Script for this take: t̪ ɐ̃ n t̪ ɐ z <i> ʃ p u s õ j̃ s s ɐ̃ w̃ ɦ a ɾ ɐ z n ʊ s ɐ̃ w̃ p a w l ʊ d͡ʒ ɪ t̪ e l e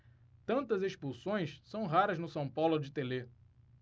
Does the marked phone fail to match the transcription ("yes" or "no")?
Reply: yes